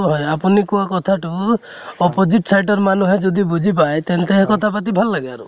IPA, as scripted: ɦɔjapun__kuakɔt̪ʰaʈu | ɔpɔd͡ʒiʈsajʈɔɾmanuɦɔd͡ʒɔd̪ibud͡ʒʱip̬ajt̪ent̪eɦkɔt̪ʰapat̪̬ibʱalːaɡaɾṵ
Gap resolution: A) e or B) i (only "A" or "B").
B